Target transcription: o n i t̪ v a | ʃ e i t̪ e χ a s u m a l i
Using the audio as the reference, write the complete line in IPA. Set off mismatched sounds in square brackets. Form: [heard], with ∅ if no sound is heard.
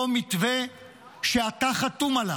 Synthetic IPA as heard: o [m] i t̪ v [e] | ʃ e [a] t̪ [a] χ a [t] u m a l [a]